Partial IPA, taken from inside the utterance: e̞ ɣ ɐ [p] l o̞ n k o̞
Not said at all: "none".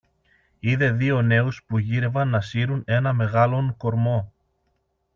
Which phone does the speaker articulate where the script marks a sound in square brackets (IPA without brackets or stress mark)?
none